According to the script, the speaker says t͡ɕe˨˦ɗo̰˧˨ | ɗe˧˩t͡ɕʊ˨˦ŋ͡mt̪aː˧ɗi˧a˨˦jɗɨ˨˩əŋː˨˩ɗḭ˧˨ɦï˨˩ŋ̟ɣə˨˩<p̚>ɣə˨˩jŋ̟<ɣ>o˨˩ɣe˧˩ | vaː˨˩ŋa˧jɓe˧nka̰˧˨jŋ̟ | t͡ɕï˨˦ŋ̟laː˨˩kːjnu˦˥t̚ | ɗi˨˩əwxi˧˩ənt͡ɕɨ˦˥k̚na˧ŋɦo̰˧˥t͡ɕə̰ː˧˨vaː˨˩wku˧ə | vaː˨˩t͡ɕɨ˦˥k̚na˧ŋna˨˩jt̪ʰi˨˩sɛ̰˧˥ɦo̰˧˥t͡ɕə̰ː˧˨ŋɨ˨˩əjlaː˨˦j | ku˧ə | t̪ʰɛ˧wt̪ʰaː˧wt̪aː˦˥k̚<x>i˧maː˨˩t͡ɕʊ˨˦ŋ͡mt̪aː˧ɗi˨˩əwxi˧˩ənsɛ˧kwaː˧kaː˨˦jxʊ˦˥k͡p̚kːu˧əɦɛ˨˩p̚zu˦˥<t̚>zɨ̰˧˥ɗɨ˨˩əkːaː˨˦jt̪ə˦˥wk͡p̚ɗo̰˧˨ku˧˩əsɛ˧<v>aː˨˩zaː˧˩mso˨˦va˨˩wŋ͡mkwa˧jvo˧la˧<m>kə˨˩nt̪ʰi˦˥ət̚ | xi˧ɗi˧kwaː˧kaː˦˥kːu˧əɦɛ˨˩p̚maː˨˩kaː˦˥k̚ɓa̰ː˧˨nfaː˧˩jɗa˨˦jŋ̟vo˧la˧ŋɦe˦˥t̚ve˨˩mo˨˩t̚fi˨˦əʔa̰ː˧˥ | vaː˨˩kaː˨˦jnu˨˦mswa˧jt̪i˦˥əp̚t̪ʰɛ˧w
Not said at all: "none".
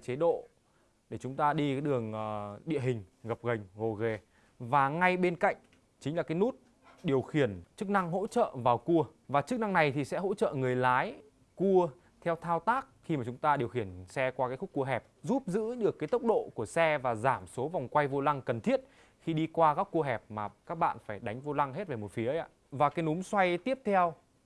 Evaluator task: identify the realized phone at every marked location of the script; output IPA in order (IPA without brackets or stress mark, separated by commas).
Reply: p̚, ɣ, x, p̚, v, ŋ